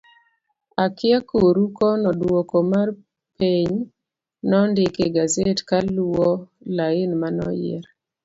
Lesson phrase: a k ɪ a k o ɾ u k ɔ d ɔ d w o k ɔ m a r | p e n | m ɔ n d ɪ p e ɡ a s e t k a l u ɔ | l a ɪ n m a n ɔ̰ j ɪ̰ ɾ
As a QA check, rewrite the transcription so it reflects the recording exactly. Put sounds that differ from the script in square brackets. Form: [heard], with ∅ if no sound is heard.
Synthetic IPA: a k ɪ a k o ɾ u k ɔ [n] ɔ d w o k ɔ m a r | p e [ɲ] | [n] ɔ n d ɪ [k] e ɡ a [z] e t k a l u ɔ | l a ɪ n m a n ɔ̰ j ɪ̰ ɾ